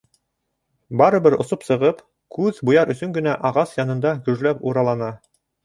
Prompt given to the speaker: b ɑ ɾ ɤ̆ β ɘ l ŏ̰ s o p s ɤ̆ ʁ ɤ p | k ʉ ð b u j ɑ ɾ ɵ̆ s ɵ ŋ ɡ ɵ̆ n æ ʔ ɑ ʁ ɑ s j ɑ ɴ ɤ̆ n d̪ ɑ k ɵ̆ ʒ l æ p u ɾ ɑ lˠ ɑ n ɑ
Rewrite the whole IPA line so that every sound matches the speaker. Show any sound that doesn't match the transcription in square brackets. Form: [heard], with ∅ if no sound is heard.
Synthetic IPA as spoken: b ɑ ɾ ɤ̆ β ɘ [ɾ] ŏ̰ s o p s ɤ̆ ʁ ɤ p | k ʉ ð b u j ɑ ɾ ɵ̆ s ɵ ŋ ɡ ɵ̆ n æ ʔ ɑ ʁ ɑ s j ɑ [n] ɤ̆ n d̪ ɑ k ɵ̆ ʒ l æ p u ɾ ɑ lˠ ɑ n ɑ